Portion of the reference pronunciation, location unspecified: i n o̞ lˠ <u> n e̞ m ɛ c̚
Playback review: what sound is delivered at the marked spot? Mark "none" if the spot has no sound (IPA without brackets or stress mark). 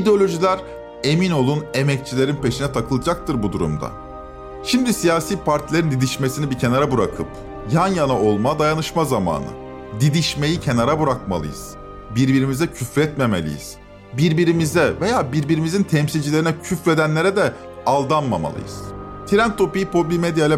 u